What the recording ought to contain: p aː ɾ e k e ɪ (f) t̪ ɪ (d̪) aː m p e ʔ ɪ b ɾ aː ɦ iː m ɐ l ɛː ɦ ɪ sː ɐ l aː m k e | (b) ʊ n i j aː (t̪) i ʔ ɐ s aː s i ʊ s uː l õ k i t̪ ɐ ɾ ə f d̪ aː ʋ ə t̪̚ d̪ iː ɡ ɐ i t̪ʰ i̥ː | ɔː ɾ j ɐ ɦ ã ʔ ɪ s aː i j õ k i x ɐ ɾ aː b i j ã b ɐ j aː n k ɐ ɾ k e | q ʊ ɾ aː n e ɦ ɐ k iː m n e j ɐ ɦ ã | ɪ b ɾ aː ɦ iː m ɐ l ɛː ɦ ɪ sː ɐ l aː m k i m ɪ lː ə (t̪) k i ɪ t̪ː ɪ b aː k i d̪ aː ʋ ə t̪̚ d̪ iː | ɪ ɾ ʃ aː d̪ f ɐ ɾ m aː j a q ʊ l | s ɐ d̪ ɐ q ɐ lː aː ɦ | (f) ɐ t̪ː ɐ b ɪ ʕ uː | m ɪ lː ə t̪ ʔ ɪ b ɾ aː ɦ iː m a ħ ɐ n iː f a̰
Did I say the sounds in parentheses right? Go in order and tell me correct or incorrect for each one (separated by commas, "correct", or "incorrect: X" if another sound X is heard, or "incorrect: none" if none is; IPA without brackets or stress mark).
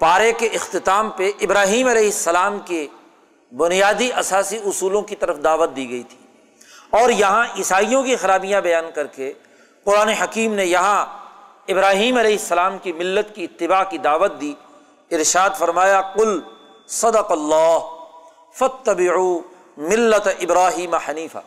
incorrect: x, incorrect: t̪, correct, incorrect: d̪, correct, correct